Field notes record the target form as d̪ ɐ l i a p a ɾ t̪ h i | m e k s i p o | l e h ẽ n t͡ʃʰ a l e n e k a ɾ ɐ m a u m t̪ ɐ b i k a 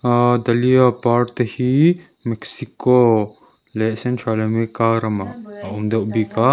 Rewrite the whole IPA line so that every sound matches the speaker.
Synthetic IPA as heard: d̪ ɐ l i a p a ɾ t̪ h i | m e k s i k o | l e s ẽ n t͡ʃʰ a l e m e k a ɾ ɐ m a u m d̪ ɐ b i k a